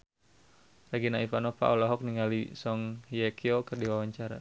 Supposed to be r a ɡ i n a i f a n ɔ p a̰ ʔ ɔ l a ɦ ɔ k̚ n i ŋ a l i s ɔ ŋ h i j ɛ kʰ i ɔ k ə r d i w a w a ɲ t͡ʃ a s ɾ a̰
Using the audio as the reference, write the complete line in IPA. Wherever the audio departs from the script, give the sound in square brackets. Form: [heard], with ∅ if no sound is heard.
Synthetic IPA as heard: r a ɡ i n a i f a n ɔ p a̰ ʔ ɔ l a ɦ ɔ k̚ n i ŋ a l i s ɔ ŋ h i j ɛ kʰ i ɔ k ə r d i w a w a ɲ t͡ʃ a [∅] ɾ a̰